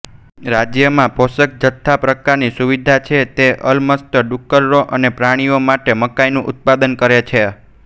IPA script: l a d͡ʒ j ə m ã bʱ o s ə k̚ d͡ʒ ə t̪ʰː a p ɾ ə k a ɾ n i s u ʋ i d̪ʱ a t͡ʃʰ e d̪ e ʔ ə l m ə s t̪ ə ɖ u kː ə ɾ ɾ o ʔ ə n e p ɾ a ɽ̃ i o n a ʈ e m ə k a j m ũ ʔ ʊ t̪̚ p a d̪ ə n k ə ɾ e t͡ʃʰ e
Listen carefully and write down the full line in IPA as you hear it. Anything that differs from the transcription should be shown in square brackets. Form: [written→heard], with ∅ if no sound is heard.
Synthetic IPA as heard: [l→ɾ] a d͡ʒ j ə m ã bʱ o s ə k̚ d͡ʒ ə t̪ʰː a p ɾ ə k a ɾ n i s u ʋ i d̪ʱ a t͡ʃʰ e [d̪→t̪] e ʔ ə l m ə s t̪ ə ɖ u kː ə ɾ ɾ o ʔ ə n e p ɾ a ɽ̃ i o [n→m] a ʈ e m ə k a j [m→n] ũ ʔ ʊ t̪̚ p a d̪ ə n k ə ɾ e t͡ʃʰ e